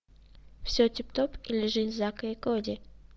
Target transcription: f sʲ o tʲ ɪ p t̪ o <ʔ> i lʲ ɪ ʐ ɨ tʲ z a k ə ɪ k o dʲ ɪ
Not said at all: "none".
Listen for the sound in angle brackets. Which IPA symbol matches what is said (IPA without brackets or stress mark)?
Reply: p